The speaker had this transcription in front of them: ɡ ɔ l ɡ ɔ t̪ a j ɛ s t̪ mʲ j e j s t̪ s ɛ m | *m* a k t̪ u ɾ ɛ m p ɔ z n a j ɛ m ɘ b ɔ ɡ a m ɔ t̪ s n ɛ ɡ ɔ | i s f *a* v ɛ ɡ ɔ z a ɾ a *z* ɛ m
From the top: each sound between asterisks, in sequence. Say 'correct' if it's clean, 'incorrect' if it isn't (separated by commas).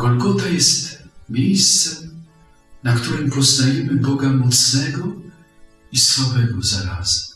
incorrect, correct, correct